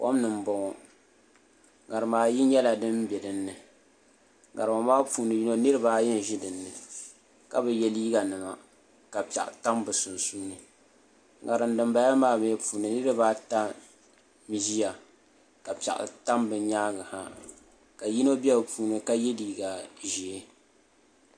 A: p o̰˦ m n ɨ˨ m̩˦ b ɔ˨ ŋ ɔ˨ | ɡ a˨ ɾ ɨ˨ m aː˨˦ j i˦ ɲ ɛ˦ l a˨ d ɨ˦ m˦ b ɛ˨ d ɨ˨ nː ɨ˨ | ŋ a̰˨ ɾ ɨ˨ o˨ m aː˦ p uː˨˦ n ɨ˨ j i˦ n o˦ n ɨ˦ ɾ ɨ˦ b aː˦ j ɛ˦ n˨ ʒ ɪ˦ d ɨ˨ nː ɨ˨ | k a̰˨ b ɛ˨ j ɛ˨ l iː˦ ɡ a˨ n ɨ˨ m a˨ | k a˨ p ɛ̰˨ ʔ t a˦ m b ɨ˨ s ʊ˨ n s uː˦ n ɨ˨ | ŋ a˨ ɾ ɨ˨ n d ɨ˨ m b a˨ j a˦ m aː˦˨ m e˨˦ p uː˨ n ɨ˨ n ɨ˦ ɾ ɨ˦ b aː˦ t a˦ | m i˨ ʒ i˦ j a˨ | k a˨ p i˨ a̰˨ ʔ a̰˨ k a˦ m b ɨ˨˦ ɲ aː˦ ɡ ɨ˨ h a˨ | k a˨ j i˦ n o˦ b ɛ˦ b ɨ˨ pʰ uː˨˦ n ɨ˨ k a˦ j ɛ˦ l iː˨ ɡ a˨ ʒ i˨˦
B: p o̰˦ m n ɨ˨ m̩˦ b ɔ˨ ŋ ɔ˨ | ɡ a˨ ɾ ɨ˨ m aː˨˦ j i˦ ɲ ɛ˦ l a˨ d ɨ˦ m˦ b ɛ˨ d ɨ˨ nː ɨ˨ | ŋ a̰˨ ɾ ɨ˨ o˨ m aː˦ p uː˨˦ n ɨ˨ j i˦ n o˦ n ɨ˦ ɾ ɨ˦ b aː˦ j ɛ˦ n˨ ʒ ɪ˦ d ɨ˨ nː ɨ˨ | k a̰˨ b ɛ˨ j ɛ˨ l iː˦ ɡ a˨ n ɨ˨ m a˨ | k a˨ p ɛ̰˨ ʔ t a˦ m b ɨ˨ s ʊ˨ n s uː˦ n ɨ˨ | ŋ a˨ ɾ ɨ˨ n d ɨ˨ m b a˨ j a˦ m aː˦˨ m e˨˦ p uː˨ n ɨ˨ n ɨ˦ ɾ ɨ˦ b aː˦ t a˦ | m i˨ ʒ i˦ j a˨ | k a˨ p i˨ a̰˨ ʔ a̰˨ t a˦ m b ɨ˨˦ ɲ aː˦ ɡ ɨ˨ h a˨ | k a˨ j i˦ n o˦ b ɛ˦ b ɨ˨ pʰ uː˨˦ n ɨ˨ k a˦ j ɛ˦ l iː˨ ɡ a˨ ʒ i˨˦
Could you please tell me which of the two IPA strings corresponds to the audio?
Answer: B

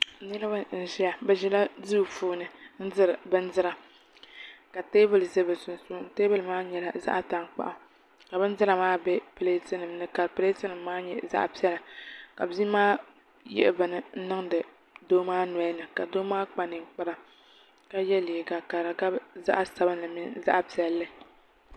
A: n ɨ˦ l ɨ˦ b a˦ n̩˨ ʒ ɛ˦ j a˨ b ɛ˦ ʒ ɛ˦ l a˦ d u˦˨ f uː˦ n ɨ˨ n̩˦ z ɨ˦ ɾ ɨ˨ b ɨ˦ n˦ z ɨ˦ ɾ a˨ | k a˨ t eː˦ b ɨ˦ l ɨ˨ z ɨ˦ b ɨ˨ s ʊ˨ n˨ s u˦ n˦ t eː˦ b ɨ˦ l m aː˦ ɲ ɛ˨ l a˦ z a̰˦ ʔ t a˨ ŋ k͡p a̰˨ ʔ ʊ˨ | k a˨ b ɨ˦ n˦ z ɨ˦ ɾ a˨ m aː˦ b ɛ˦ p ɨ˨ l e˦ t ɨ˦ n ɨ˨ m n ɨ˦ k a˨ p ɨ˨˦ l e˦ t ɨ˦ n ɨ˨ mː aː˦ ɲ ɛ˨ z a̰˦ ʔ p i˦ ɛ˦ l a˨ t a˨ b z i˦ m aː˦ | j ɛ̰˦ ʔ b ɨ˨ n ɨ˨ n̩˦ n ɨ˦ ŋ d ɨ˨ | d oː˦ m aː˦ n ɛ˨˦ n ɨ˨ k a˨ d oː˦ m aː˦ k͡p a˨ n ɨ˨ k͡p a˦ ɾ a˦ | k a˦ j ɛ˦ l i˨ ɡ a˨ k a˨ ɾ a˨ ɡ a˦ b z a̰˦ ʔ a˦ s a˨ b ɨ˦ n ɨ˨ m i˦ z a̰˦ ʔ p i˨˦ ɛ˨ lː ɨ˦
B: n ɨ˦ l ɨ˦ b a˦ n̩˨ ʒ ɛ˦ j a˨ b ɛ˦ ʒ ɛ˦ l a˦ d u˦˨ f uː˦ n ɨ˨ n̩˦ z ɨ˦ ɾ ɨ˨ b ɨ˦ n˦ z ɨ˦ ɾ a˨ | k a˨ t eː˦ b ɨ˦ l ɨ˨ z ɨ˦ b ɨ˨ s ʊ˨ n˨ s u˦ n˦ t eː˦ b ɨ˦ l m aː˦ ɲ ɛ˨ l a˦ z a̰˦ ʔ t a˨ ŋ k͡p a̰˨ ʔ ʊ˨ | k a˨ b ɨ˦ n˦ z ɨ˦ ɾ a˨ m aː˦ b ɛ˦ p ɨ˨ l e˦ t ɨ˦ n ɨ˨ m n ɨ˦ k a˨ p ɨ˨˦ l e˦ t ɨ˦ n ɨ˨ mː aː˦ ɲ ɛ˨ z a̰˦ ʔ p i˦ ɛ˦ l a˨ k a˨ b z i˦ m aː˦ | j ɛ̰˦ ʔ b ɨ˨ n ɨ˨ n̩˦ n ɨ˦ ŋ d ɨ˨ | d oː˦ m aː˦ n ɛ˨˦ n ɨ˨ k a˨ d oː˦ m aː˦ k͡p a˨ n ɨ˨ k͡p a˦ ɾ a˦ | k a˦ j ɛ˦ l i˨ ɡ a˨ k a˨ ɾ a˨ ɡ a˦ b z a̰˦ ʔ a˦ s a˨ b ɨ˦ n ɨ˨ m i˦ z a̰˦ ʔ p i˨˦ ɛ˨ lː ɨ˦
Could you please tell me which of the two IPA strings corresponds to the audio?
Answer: B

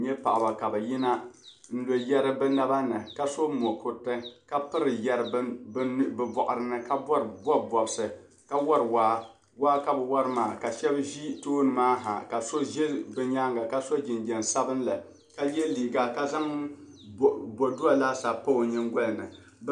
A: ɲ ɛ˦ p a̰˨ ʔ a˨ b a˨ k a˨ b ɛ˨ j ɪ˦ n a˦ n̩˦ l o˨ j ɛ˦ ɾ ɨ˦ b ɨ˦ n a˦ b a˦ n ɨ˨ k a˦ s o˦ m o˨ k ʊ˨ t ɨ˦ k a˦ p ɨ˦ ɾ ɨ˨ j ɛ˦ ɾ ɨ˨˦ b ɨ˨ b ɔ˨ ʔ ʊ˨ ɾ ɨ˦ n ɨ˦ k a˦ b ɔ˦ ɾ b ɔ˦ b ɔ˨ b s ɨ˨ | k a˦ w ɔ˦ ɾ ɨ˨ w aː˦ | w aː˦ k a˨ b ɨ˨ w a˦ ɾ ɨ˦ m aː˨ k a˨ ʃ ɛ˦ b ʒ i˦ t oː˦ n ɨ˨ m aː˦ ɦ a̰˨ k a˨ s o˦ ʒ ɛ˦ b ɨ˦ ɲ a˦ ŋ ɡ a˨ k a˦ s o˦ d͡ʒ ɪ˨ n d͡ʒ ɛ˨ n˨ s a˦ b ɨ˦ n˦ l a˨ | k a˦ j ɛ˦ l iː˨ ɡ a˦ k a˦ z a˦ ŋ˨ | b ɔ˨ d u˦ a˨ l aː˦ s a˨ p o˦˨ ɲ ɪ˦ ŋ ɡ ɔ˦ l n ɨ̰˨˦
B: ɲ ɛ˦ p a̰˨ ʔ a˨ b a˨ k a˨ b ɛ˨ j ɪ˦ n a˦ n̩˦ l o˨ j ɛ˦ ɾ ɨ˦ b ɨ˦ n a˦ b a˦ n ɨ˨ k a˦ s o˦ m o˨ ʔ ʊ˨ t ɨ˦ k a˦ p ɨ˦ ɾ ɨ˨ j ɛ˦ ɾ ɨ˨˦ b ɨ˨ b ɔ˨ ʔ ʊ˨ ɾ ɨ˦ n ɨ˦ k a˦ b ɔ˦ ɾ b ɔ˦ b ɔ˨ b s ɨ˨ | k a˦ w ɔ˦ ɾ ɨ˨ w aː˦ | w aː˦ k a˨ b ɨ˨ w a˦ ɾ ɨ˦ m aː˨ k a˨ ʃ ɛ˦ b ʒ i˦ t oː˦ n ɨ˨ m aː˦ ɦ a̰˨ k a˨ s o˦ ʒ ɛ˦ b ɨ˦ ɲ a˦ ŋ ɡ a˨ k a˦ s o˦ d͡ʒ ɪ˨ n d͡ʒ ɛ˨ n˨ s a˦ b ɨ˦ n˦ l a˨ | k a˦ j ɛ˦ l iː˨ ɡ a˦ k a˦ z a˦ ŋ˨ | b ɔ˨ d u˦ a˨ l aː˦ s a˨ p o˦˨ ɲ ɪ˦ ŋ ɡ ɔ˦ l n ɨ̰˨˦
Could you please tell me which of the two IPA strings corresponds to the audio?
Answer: A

